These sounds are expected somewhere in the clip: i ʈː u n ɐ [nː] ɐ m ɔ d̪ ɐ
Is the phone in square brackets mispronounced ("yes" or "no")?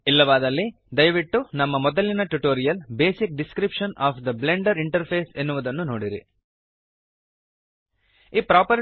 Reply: yes